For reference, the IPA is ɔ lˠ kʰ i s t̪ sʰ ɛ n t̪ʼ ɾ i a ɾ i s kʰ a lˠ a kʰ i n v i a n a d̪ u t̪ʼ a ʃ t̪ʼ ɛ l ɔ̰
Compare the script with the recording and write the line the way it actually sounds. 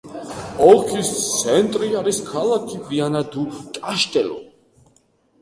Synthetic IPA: ɔ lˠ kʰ i s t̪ sʰ ɛ n t̪ʼ ɾ i a ɾ i s kʰ a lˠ a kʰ i v i a n a d̪ u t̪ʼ a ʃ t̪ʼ ɛ l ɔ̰